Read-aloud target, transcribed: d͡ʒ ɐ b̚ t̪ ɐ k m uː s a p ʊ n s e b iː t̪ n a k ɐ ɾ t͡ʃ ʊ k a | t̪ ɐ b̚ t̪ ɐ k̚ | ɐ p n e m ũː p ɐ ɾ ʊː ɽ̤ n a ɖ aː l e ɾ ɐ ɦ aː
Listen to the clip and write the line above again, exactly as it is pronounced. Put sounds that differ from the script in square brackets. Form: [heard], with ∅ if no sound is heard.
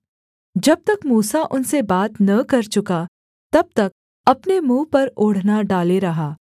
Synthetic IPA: d͡ʒ ɐ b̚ t̪ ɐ k m uː s a [ʔ] ʊ n s e b [aː] t̪ n [ɐ] k ɐ ɾ t͡ʃ ʊ k a | t̪ ɐ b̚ t̪ ɐ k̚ | ɐ p n e m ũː p ɐ ɾ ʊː ɽ̤ n a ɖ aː l e ɾ ɐ ɦ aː

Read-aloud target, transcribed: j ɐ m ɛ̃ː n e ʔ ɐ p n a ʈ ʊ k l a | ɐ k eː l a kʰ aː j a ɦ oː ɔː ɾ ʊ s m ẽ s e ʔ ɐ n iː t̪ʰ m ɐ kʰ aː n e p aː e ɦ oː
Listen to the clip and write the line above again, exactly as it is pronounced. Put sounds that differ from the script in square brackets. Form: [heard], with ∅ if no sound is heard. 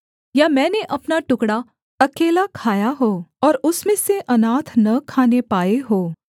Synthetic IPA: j [a] m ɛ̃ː n e ʔ ɐ p n a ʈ ʊ k [ɽ] a | ɐ k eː l a kʰ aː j a ɦ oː ɔː ɾ ʊ s m ẽ s e ʔ ɐ n [aː] t̪ʰ [n] ɐ kʰ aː n e p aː e ɦ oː

